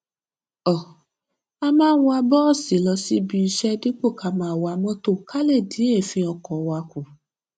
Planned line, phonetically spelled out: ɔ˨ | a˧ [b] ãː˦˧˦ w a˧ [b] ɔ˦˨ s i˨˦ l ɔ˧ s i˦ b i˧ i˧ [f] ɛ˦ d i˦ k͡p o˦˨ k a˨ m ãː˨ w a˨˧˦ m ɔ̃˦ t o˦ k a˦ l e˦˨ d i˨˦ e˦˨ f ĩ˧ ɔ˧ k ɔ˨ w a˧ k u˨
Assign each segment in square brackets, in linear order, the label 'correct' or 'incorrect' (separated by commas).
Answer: incorrect, correct, incorrect